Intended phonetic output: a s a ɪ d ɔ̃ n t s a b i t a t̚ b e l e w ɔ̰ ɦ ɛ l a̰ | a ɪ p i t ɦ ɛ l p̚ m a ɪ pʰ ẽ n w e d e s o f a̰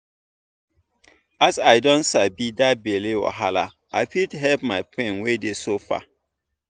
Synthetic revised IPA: a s a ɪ d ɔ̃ n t s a b i d a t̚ b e l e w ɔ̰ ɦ a l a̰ | a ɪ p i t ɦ ɛ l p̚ m a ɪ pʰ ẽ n w e d e s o f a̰